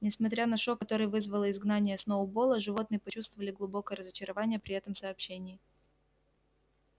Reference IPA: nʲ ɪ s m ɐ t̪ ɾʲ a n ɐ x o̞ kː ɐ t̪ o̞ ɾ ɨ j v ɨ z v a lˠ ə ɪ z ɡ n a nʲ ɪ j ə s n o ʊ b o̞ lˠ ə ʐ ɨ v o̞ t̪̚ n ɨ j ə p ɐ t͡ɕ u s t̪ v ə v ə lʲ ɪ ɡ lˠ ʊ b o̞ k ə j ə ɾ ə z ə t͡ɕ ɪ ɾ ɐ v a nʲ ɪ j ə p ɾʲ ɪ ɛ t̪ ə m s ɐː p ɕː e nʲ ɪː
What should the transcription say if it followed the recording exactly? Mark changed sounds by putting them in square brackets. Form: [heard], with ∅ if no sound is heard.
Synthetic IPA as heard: nʲ ɪ s m ɐ t̪ ɾʲ a n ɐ [ʂ] o̞ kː ɐ t̪ o̞ ɾ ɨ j v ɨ z v [ə] lˠ ə ɪ z ɡ n a nʲ ɪ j ə s n o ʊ b o̞ lˠ ə ʐ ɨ v o̞ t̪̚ n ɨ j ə p ɐ t͡ɕ u s t̪ v ə v ə lʲ ɪ ɡ lˠ ʊ b o̞ k ə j ə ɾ ə z ə t͡ɕ ɪ ɾ ɐ v a nʲ ɪ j ə p ɾʲ ɪ ɛ t̪ ə m s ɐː p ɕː e nʲ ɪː

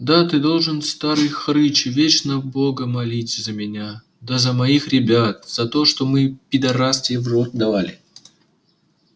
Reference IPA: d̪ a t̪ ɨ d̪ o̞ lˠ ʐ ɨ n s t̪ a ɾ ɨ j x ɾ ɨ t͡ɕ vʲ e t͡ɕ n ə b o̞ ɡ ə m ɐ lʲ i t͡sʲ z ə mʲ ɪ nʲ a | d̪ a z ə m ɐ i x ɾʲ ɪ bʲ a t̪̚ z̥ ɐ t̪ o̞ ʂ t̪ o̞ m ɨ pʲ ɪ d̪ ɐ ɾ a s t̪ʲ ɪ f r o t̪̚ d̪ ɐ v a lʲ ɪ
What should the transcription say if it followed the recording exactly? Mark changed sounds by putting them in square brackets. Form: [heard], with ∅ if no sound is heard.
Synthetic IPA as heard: d̪ a t̪ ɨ d̪ o̞ lˠ ʐ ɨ n s t̪ a ɾ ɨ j x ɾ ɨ t͡ɕ vʲ e t͡ɕ n ə b o̞ ɡ ə m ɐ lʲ i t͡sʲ z ə mʲ ɪ nʲ a | d̪ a z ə m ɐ i x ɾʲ ɪ bʲ a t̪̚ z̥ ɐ t̪ o̞ ʂ t̪ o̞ m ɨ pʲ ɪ d̪ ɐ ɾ a s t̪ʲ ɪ [v] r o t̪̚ d̪ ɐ v a lʲ ɪ

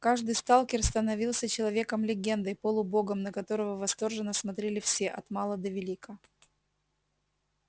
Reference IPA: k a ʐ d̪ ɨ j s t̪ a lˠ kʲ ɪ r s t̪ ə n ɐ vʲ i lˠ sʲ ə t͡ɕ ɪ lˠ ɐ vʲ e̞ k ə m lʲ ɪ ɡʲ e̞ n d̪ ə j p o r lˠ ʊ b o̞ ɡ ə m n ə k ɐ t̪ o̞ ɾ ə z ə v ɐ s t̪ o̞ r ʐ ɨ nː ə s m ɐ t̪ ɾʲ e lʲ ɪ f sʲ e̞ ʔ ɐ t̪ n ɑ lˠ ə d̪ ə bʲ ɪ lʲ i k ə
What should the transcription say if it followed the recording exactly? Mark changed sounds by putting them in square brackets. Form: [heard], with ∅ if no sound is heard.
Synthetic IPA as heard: k a ʐ d̪ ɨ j s t̪ a lˠ kʲ ɪ r s t̪ ə n ɐ vʲ i lˠ sʲ ə t͡ɕ ɪ lˠ ɐ vʲ e̞ k ə m lʲ ɪ ɡʲ e̞ n d̪ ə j p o [∅] lˠ ʊ b o̞ ɡ ə m n ə k ɐ t̪ o̞ ɾ ə [v] ə v ɐ s t̪ o̞ r ʐ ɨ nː ə s m ɐ t̪ ɾʲ e lʲ ɪ f sʲ e̞ ʔ ɐ t̪ [m] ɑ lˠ ə d̪ ə [vʲ] ɪ lʲ i k ə

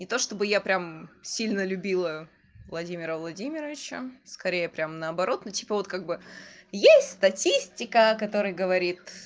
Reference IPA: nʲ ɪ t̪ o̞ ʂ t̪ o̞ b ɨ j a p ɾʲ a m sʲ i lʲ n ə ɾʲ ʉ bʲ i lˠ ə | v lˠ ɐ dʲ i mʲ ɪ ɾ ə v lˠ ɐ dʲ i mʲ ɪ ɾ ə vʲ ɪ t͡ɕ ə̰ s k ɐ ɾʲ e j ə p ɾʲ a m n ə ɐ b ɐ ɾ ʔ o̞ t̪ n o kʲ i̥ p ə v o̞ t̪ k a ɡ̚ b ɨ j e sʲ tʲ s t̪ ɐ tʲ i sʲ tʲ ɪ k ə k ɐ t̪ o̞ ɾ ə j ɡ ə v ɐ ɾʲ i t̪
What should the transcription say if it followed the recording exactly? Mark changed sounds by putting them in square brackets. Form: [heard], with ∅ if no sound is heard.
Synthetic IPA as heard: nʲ ɪ t̪ o̞ ʂ t̪ o̞ b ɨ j a p ɾʲ a m sʲ i lʲ n ə [lʲ] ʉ bʲ i lˠ ə | v lˠ ɐ dʲ i mʲ ɪ ɾ ə v lˠ ɐ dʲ i mʲ ɪ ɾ ə vʲ ɪ t͡ɕ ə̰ s k ɐ ɾʲ e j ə p ɾʲ a m n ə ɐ b ɐ ɾ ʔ o̞ t̪ n o [tʲ] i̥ p ə v o̞ t̪ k a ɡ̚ b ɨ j e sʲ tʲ s t̪ ɐ tʲ i sʲ tʲ ɪ k ə k ɐ t̪ o̞ ɾ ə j ɡ ə v ɐ ɾʲ i t̪

